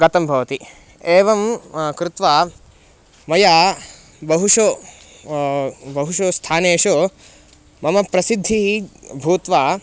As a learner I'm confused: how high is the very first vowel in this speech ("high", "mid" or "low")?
low